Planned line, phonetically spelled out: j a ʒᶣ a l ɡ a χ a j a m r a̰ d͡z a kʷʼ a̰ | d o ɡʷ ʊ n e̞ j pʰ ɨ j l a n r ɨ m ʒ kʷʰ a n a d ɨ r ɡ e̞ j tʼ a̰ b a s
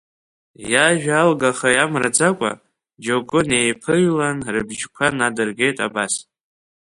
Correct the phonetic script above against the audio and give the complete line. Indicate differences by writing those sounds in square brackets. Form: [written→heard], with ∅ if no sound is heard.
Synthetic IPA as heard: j a ʒᶣ a l ɡ a χ a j a m r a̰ d͡z a kʷʼ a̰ | [d→d͡ʒ] o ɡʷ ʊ n e̞ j pʰ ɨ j l a n r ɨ [m→b] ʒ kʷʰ a n a d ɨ r ɡ e̞ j tʼ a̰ b a s